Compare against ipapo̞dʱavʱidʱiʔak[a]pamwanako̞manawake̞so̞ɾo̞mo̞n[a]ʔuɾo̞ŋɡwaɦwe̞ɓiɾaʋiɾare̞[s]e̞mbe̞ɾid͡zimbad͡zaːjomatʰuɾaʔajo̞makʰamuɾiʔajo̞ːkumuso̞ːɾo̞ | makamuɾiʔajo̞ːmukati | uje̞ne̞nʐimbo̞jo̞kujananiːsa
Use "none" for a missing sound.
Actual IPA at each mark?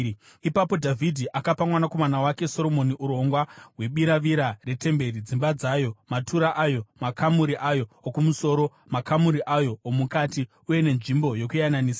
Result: a, i, t

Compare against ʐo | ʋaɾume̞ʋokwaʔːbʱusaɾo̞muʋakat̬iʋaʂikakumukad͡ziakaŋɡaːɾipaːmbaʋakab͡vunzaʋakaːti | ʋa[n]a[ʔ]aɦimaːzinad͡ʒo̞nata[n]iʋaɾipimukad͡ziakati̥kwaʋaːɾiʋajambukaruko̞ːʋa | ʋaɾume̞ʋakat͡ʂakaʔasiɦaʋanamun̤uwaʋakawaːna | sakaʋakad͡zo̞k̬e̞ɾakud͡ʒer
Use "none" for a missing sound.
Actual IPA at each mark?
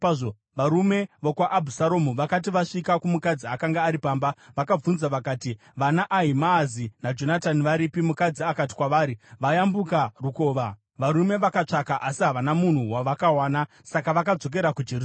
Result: n, ʔ, n

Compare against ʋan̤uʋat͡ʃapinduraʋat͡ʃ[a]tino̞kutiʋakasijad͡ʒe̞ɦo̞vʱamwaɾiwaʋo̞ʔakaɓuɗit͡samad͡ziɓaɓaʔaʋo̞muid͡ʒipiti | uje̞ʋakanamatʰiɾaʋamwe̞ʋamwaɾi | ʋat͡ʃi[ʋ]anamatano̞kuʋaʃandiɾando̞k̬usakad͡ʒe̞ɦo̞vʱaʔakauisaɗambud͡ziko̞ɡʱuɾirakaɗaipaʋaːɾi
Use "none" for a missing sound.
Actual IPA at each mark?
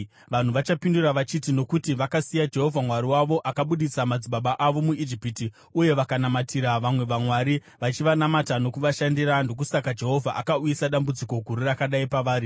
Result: i, ʋ

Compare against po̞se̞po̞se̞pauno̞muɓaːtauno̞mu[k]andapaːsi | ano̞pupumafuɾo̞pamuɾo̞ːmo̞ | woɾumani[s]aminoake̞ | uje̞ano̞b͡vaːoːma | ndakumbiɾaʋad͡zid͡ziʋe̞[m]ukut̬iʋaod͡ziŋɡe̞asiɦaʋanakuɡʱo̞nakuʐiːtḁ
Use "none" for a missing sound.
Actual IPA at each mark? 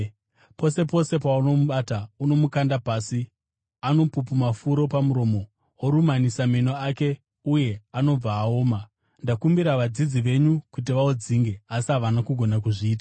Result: k, s, ɲ

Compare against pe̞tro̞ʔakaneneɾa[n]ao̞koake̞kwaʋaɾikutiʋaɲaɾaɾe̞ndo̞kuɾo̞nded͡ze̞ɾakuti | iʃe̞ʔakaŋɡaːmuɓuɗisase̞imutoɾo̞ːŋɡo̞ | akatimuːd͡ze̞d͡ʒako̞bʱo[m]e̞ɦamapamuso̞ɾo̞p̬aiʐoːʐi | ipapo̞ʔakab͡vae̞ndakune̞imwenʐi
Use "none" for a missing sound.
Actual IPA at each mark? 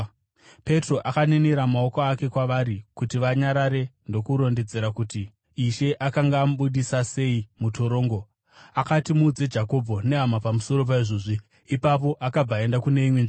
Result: m, n

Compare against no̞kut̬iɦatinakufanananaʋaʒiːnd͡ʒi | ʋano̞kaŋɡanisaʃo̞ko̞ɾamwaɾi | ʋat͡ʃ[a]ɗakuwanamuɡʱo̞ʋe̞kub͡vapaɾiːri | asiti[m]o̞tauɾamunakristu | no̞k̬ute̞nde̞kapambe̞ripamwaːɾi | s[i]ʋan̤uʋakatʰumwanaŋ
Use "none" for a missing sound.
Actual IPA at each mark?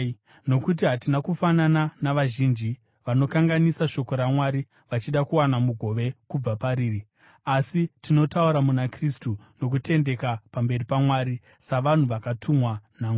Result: i, n, a

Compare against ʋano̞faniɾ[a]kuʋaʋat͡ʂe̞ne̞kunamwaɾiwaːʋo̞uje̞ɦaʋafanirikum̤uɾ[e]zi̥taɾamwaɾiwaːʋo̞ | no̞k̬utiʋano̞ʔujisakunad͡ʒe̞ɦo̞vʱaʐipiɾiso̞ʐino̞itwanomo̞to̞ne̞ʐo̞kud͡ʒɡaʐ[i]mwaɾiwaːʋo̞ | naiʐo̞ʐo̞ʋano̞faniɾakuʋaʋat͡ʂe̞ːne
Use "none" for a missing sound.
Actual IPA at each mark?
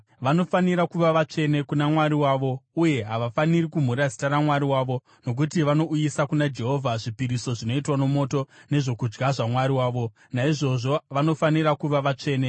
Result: a, a, a

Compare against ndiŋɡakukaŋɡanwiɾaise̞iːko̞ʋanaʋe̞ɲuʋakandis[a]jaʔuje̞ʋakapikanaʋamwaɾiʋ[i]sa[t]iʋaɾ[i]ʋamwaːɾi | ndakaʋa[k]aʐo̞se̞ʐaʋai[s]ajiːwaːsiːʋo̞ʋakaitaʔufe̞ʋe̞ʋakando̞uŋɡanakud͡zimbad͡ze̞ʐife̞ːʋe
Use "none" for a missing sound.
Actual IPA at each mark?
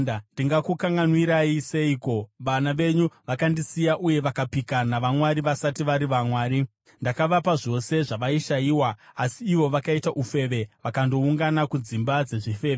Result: i, a, t, i, p, ʃ

